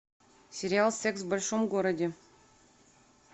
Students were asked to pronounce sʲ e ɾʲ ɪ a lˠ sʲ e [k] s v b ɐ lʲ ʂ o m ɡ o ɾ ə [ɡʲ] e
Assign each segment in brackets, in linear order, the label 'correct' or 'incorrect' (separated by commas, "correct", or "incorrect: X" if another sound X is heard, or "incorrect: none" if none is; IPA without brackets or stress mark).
correct, incorrect: dʲ